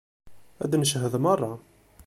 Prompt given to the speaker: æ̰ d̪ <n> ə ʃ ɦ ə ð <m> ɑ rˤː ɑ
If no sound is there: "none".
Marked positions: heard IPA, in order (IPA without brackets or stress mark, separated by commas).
n, m